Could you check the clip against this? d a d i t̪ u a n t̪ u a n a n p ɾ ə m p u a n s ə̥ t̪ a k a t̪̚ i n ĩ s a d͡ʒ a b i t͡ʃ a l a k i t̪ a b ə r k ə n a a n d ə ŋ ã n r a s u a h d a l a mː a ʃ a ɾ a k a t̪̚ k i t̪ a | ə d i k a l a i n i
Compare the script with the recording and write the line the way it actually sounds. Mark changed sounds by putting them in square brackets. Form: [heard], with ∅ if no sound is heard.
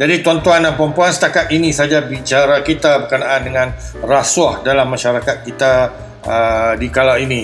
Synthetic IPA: [d͡ʒ] a d i t̪ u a n t̪ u a n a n p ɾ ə m p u a n s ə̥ t̪ a k a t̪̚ i n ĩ s a d͡ʒ a b i t͡ʃ a [ɾ] a k i t̪ a b ə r k ə n a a n d ə ŋ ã n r a s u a h d a l a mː a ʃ a ɾ a k a t̪̚ k i t̪ a | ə d i k a l a i n i